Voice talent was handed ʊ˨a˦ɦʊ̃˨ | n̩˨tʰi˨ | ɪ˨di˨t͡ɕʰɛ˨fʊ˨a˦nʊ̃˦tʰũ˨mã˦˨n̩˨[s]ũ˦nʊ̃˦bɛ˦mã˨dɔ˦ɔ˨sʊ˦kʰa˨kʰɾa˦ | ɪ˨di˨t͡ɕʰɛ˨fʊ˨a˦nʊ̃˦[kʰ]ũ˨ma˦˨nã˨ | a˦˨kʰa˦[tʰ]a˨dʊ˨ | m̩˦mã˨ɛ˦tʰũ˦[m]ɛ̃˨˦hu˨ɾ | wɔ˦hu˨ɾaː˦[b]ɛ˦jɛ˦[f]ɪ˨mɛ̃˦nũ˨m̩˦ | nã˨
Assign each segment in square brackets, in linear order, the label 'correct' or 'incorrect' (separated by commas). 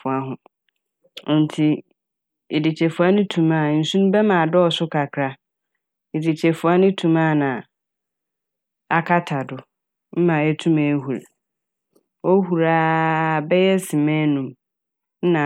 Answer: correct, incorrect, correct, correct, correct, incorrect